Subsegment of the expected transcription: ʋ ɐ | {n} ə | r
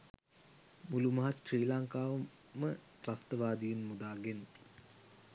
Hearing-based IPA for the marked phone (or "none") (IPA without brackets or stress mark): m